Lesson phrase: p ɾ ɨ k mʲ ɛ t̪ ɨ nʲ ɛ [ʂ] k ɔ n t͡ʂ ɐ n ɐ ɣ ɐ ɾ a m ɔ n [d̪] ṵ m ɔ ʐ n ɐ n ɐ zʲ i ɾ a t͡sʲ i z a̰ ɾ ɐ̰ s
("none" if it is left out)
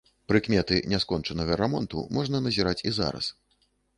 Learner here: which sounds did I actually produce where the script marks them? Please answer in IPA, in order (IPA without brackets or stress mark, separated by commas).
s, t̪